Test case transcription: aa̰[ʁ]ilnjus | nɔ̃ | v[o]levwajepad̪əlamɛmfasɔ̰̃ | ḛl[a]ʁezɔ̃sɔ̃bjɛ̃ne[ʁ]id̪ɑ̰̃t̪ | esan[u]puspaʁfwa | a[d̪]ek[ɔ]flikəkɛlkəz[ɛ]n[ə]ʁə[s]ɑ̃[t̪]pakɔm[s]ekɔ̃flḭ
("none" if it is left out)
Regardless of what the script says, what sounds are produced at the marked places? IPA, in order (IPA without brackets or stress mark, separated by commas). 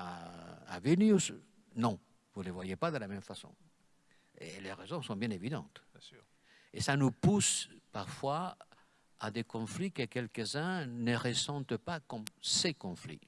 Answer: v, u, e, v, u, d̪, ɔ̃, ɛ̃, ə, s, t̪, s